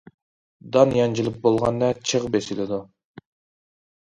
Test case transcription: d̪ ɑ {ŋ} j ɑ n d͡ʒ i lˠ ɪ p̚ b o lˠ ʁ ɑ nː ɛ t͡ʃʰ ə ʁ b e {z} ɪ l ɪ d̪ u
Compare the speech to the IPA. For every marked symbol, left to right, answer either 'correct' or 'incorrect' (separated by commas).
incorrect, incorrect